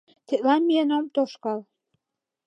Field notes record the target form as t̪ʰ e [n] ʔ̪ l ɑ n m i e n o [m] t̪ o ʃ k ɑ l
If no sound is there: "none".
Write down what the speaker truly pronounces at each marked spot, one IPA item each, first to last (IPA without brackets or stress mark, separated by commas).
none, m